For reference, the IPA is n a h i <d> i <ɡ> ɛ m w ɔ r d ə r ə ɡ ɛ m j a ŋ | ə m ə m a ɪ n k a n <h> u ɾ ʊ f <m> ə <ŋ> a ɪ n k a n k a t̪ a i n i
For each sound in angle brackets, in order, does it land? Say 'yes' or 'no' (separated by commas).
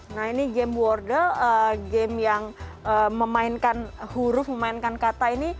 no, yes, yes, yes, no